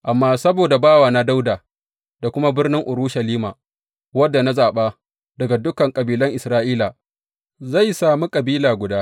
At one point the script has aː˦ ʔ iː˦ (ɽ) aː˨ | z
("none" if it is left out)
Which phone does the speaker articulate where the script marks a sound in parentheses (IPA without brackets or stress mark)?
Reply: l